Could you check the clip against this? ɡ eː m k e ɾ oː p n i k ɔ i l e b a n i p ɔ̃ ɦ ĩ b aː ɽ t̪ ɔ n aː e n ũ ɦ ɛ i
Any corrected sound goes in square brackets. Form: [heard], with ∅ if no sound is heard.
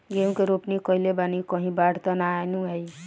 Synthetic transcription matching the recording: ɡ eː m k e ɾ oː p n i k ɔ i l e b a n i [k] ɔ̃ ɦ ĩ b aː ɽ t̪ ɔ n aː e n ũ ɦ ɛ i